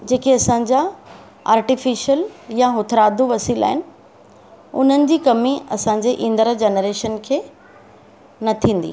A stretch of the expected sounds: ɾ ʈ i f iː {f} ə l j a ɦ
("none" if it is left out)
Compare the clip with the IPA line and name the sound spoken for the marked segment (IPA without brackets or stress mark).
ʃ